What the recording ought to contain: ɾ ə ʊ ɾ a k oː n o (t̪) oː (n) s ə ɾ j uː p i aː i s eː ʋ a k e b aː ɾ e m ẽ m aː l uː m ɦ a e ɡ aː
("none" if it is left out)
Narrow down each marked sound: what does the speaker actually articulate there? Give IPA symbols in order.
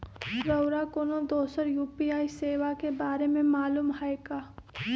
d̪, none

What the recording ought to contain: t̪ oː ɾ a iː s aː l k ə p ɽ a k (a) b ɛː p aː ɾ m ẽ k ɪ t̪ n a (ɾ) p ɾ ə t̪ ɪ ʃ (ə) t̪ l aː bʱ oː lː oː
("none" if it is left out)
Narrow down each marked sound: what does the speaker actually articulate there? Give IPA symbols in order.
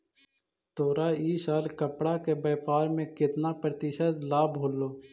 e, none, ə

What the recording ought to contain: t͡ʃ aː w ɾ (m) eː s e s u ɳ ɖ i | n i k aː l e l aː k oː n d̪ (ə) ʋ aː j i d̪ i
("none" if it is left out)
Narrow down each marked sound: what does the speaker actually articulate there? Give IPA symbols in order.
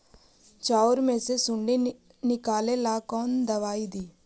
m, ɐ

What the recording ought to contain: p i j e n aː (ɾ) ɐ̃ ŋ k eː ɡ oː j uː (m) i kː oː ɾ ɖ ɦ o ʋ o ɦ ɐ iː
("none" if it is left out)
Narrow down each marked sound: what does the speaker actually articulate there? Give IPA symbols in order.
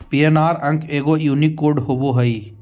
ɾ, n

